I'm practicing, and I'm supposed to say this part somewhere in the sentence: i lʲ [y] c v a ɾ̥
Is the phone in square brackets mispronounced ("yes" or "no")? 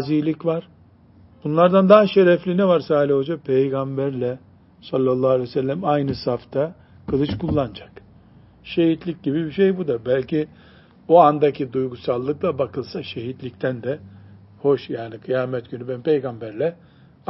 yes